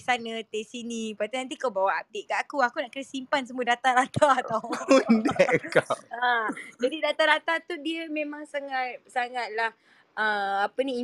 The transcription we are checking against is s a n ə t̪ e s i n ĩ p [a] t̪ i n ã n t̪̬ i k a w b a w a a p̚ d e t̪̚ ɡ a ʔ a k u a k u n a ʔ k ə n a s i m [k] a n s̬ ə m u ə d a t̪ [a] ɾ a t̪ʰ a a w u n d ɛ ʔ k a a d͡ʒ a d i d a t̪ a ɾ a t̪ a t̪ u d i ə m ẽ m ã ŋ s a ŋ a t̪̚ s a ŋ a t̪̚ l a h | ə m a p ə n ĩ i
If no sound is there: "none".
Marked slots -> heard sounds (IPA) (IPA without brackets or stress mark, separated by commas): a, p, a